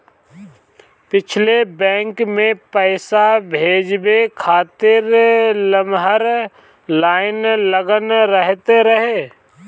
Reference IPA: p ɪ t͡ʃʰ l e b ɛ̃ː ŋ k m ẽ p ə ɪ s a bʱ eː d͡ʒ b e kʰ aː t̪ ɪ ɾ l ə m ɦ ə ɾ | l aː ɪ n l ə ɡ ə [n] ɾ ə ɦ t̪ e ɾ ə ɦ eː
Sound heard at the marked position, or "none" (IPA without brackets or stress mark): n